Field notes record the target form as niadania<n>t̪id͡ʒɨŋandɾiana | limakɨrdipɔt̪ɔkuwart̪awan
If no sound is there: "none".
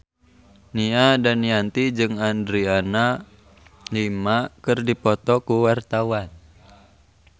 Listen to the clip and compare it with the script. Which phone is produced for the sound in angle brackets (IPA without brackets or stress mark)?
n